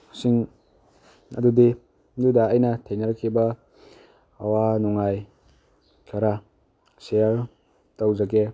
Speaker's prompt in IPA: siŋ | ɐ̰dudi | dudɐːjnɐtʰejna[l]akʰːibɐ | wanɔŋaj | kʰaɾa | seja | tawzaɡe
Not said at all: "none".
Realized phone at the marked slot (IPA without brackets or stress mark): ɾ